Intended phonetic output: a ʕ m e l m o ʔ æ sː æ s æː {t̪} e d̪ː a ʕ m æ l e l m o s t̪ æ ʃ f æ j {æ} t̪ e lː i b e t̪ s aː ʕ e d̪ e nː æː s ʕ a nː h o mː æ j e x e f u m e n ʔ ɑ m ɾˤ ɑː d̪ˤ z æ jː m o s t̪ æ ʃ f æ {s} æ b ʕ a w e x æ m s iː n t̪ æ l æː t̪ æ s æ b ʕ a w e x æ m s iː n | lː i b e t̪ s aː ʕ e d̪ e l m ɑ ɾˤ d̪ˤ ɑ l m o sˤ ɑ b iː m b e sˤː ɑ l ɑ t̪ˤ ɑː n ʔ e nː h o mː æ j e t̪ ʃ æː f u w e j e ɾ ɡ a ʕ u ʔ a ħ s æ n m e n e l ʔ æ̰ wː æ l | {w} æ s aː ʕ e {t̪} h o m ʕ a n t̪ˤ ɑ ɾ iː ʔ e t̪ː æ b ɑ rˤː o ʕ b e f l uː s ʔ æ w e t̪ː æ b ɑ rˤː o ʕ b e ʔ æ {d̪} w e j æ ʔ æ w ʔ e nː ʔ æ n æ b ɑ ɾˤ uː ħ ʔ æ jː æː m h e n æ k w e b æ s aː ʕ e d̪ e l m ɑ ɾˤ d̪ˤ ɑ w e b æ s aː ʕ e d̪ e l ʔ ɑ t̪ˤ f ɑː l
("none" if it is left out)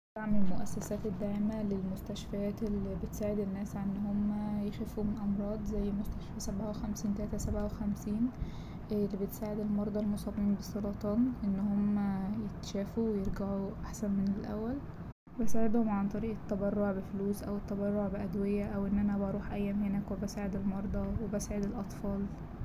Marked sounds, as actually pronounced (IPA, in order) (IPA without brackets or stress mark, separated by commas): t̪, æː, s, b, d̪, d̪